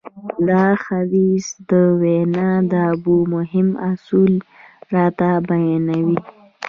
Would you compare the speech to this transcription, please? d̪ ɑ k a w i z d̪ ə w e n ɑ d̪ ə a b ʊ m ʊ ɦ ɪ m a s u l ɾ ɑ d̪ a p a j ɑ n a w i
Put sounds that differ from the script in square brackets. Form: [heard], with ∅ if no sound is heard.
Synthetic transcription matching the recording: d̪ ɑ [x] a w i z d̪ ə w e n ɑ d̪ ə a b [u] m ʊ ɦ ɪ m a s u l ɾ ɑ [t̪] a [b] a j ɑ n a w i